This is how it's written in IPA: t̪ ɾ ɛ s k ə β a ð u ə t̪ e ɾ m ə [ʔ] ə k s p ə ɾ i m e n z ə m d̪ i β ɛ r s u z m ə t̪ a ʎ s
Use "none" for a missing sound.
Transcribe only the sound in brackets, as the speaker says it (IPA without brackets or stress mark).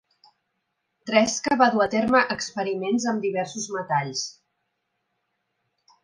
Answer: ʔ